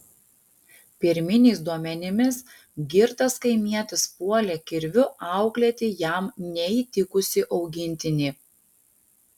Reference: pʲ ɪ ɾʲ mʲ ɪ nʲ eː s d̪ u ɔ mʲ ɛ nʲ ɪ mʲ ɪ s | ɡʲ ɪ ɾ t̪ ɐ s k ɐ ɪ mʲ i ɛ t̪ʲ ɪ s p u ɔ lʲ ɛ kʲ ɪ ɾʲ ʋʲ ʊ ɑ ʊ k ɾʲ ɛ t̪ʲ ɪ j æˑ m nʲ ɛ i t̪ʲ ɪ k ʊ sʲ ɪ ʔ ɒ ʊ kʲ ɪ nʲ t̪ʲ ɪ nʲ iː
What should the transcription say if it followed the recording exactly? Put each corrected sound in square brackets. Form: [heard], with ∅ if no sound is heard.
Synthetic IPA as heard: pʲ ɪ ɾʲ mʲ ɪ nʲ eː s d̪ u ɔ mʲ ɛ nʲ ɪ mʲ ɪ s | ɡʲ ɪ ɾ t̪ ɐ s k ɐ ɪ mʲ i ɛ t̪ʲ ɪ s p u ɔ lʲ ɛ kʲ ɪ ɾʲ ʋʲ ʊ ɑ ʊ k [lʲ] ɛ t̪ʲ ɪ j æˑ m nʲ ɛ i t̪ʲ ɪ k ʊ sʲ ɪ ʔ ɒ ʊ [ɡʲ] ɪ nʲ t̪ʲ ɪ nʲ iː